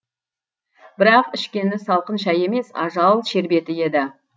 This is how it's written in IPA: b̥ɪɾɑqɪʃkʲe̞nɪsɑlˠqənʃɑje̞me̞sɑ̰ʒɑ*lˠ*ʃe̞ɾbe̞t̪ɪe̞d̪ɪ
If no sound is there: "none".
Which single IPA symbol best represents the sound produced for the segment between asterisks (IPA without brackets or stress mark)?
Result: lˠ